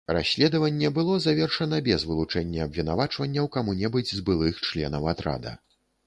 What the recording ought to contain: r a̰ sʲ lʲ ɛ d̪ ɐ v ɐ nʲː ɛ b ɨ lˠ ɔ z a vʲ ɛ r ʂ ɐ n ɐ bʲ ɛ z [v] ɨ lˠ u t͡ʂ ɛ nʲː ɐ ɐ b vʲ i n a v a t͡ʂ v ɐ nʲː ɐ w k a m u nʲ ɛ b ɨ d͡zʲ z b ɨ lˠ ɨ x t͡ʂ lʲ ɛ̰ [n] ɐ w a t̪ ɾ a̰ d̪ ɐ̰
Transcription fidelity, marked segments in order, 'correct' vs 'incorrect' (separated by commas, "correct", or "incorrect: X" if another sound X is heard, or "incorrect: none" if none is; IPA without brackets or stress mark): correct, correct